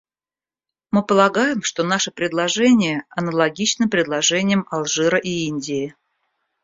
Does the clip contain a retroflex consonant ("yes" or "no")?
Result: yes